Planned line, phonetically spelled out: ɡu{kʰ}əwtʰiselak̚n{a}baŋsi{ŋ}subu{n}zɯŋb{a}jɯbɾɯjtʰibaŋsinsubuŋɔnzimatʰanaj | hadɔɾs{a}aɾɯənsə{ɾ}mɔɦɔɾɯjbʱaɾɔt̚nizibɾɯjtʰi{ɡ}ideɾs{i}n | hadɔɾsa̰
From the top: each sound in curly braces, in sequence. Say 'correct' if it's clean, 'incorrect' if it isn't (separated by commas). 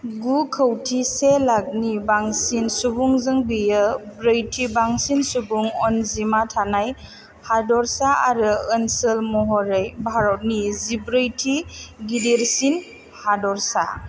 correct, incorrect, incorrect, incorrect, incorrect, correct, incorrect, correct, correct